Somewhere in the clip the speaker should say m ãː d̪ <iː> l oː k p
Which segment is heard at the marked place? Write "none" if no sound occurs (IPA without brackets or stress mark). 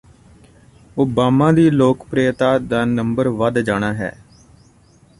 iː